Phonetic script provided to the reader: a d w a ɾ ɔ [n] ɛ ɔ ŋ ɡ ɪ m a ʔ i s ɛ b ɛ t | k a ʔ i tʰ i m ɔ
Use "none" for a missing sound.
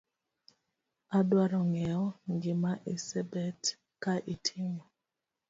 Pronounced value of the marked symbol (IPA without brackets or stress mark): ŋ